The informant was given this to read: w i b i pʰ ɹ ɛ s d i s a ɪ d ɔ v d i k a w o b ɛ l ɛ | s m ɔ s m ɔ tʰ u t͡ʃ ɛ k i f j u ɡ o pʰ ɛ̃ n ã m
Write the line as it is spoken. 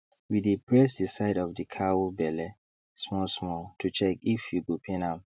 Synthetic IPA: w i d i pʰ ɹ ɛ s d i s a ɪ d ɔ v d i kʰ a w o b ɛ l ɛ | s m ɔ s m ɔ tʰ u t͡ʃ ɛ k i f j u ɡ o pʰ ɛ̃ n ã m